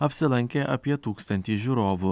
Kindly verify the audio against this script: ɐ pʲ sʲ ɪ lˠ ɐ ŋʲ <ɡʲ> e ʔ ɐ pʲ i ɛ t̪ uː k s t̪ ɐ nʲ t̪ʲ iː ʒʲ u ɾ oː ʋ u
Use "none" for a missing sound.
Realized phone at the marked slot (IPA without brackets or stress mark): kʲ